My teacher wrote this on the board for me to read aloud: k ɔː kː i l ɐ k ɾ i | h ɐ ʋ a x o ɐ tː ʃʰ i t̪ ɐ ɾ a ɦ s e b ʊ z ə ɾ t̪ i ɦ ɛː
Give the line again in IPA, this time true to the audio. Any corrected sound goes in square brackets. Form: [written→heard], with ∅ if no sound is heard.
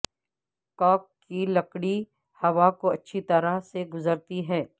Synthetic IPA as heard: k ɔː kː i l ɐ k [ɾ→ɽ] i | h ɐ ʋ a [x→k] o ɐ tː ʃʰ i t̪ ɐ ɾ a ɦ s e [b→ɡ] ʊ z ə ɾ t̪ i ɦ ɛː